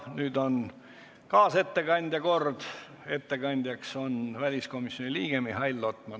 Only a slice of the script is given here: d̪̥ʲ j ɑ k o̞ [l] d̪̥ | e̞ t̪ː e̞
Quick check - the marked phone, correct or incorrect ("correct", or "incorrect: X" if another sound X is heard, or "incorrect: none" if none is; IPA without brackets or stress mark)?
incorrect: r